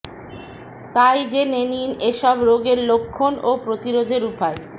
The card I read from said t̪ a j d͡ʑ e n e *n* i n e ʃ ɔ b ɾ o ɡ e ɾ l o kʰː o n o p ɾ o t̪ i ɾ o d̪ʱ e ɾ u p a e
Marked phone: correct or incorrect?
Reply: correct